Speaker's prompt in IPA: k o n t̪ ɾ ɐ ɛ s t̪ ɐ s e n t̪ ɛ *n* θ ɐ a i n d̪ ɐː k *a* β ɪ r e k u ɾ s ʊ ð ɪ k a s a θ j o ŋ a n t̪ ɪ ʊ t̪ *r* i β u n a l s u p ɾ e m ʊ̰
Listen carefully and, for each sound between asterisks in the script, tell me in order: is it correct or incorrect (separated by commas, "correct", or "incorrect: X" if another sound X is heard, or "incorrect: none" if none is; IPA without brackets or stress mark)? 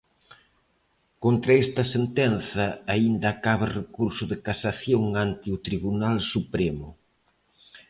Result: correct, correct, incorrect: ɾ